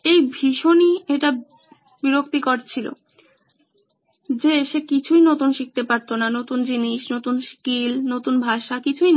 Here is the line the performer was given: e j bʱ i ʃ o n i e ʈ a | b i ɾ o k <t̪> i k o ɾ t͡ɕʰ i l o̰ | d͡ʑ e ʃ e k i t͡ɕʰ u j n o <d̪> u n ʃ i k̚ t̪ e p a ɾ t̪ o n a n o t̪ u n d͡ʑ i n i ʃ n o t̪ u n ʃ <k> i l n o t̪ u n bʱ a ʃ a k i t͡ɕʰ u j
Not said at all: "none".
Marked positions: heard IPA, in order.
t̪, t̪, k

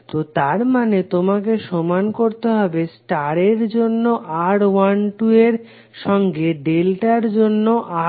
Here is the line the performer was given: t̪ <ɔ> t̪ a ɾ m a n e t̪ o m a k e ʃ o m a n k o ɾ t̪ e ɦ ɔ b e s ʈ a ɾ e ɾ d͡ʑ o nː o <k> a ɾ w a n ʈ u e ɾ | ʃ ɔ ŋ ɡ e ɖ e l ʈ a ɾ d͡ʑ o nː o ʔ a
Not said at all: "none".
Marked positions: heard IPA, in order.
o, ʔ

